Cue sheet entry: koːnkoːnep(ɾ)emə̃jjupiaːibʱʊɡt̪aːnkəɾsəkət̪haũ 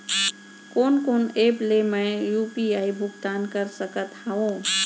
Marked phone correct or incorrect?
incorrect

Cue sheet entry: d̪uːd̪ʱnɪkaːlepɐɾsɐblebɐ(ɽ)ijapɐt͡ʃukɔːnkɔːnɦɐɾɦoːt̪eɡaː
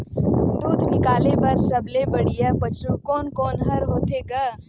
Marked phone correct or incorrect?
correct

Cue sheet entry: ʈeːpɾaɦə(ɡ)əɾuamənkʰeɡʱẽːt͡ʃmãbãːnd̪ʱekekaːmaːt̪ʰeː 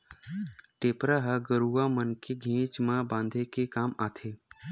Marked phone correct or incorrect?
correct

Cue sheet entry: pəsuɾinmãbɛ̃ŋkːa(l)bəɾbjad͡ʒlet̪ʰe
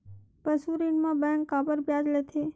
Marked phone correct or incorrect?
incorrect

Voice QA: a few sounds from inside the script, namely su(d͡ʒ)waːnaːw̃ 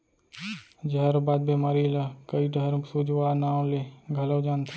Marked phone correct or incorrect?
correct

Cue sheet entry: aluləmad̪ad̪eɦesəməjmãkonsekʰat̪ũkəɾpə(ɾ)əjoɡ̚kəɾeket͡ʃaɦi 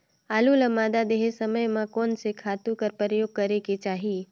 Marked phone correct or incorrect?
correct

